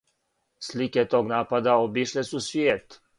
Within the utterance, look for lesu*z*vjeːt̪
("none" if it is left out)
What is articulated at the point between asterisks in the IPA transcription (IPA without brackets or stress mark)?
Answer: s